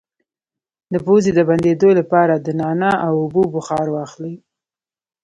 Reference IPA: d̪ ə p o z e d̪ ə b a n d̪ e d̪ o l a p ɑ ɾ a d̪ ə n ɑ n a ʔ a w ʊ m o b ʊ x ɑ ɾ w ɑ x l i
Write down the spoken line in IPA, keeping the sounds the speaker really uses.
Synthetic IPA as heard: d̪ ə p o z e d̪ ə b a n d̪ e d̪ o l a p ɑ ɾ a d̪ ə n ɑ n a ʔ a w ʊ b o b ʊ x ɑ ɾ w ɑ x l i